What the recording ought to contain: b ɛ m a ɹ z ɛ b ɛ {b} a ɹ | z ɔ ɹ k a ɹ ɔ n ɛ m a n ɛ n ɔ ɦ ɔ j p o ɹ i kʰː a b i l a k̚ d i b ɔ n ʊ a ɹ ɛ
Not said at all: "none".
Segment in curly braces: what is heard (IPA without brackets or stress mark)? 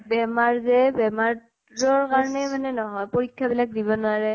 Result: m